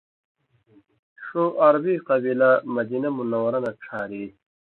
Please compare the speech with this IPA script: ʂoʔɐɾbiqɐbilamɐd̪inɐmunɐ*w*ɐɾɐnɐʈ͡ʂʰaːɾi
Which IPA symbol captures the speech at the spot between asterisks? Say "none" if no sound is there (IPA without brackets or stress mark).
w